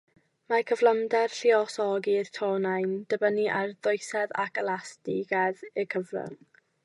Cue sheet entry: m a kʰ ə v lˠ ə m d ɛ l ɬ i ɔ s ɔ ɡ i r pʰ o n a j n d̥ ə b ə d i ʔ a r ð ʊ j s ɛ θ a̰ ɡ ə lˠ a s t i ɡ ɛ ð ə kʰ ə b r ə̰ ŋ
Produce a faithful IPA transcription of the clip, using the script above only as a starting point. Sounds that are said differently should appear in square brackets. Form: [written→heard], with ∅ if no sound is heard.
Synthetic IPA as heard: m a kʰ ə v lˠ ə m d ɛ [l→r] ɬ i ɔ s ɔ ɡ i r [pʰ→tʰ] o n a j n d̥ ə b ə [d→n] i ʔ a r ð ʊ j s ɛ [θ→ð] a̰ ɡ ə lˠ a s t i ɡ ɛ ð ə kʰ ə [b→v] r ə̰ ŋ